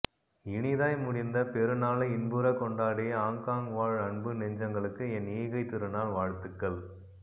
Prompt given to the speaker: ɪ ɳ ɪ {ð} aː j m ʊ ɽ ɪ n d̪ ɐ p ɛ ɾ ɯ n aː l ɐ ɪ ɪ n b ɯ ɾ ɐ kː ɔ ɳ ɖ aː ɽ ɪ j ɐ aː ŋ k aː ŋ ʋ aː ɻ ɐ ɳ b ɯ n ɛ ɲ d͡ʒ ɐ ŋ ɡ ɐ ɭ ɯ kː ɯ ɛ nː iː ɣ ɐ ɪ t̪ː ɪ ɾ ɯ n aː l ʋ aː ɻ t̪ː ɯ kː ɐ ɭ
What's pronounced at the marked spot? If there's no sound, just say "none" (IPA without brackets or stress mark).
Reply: ð